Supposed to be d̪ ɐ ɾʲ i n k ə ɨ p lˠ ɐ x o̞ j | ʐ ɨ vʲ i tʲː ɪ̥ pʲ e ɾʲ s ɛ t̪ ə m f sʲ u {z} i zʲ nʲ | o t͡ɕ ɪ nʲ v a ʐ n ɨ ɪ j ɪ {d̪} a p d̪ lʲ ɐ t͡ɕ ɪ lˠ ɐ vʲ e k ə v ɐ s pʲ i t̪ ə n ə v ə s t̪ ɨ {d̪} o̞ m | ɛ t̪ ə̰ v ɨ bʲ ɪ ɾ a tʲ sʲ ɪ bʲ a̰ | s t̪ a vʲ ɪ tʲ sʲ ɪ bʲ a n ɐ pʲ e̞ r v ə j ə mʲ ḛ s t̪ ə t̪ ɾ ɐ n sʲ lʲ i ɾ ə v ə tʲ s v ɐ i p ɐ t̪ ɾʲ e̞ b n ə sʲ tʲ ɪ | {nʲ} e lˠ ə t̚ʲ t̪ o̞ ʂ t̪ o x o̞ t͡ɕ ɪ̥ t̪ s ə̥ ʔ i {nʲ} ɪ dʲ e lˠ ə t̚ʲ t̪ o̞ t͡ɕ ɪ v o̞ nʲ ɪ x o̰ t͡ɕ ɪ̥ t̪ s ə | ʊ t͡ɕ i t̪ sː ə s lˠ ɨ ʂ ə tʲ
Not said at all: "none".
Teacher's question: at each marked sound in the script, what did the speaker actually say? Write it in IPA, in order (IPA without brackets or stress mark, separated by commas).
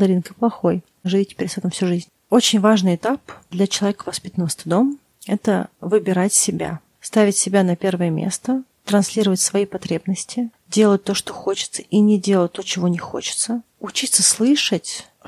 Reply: ʐ, t̪, d̪, dʲ, nʲ